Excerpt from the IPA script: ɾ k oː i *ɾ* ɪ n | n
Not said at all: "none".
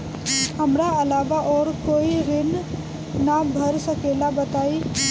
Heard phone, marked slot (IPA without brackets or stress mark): ɾ